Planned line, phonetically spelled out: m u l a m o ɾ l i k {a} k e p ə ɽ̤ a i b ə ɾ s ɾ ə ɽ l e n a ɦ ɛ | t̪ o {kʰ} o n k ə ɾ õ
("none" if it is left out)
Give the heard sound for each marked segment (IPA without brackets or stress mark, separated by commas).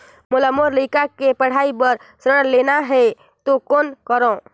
a, k